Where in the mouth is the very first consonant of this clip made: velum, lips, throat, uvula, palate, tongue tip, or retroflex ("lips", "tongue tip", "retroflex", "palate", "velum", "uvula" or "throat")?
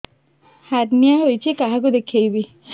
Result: throat